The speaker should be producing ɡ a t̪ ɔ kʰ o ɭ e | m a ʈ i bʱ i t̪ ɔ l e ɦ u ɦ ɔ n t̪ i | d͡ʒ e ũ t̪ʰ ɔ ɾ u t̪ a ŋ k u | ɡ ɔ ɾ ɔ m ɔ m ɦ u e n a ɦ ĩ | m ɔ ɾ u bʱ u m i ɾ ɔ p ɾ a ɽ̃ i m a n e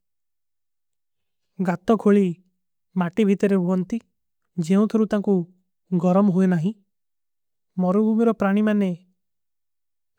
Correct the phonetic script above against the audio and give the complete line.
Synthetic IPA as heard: ɡ a t̪ ɔ kʰ o ɭ i | m a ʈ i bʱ i t̪ ɔ ɾ e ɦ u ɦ ɔ n t̪ i | d͡ʒ e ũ t̪ʰ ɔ ɾ u t̪ a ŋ k u | ɡ ɔ ɾ ɔ m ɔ ɦ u e n a ɦ ĩ | m ɔ ɾ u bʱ u m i ɾ ɔ p ɾ a ɽ̃ i m a n e